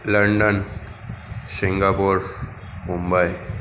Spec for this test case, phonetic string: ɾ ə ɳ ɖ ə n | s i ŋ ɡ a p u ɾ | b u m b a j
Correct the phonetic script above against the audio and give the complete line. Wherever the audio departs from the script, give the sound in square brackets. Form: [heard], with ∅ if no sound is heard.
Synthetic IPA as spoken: [l] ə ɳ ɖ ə n | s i ŋ ɡ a p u ɾ | [m] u m b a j